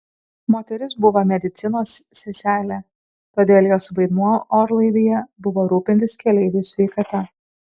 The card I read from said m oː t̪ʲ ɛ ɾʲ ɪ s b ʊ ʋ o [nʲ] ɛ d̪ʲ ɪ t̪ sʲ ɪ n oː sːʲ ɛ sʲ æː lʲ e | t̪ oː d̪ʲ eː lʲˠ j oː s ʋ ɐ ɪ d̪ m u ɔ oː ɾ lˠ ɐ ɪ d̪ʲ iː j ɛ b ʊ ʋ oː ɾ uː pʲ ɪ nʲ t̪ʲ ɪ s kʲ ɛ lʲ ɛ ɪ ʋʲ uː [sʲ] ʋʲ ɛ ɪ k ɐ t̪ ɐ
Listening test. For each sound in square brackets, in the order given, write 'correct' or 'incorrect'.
incorrect: mʲ, correct

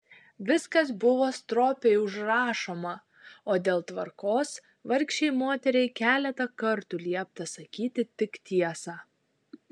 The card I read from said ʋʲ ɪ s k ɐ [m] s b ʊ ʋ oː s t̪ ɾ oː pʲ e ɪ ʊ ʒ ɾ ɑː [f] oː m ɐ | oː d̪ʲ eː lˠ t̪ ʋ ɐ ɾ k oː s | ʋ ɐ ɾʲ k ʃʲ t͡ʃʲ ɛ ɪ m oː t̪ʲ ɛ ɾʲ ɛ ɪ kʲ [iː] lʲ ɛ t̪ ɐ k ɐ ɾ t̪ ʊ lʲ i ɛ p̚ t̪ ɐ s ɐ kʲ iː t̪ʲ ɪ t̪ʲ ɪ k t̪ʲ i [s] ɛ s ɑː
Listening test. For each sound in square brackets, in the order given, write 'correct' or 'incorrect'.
incorrect: none, incorrect: ʃ, incorrect: æː, incorrect: none

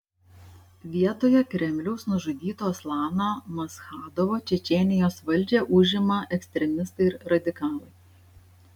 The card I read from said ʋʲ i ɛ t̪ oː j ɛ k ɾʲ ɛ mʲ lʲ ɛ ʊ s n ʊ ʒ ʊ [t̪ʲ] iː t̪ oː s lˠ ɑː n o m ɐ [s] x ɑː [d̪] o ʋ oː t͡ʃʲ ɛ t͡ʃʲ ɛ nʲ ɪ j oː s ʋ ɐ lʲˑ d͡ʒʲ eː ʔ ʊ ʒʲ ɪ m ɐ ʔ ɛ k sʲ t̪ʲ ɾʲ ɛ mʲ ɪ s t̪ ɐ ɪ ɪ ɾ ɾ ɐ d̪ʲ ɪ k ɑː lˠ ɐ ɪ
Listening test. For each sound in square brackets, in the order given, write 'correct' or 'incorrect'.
incorrect: d̪ʲ, correct, correct

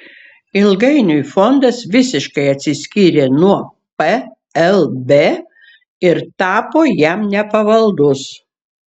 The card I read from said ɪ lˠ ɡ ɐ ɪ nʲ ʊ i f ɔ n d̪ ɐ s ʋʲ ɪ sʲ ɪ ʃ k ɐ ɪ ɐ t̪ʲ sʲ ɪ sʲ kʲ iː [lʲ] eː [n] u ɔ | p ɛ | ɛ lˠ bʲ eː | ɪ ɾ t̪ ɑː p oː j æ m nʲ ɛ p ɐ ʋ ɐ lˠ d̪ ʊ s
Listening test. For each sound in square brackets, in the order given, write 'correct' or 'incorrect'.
incorrect: ɾʲ, correct

